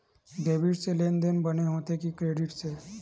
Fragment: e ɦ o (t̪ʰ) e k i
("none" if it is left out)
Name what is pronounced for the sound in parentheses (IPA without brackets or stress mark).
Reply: t̪